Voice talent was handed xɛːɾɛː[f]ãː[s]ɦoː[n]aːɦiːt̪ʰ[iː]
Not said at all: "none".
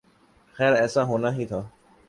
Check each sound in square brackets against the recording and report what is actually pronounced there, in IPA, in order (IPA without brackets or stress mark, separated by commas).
s, none, n, aː